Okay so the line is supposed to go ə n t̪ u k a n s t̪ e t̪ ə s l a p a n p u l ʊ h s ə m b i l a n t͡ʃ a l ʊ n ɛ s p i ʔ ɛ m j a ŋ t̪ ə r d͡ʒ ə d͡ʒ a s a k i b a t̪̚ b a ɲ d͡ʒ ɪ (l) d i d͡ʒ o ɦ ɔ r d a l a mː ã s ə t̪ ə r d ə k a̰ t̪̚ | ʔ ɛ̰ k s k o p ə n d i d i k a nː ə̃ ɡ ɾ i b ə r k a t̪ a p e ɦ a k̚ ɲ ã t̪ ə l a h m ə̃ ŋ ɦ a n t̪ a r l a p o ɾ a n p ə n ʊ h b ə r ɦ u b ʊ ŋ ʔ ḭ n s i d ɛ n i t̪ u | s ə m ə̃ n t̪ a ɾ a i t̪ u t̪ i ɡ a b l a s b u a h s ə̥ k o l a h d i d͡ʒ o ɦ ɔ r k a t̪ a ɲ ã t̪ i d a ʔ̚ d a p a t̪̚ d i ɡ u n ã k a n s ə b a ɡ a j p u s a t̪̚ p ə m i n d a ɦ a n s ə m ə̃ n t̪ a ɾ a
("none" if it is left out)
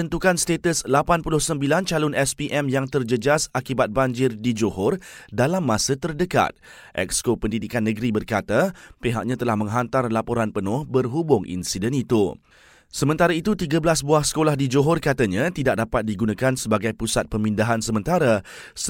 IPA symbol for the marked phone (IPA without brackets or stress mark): r